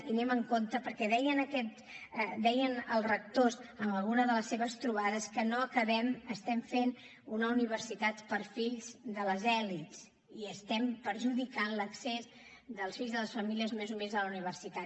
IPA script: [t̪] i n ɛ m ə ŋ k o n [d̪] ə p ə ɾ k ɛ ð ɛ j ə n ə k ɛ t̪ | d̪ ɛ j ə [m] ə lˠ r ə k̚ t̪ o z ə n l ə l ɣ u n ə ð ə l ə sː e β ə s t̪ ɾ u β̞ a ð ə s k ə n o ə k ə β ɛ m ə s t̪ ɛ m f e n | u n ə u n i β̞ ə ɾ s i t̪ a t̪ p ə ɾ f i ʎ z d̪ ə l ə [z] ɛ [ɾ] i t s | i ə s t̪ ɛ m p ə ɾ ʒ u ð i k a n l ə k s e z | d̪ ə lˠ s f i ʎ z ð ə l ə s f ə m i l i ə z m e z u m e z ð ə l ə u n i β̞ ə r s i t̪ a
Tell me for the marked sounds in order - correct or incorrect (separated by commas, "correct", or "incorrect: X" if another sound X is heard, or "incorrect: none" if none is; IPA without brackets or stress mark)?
correct, incorrect: t̪, incorrect: n, correct, incorrect: l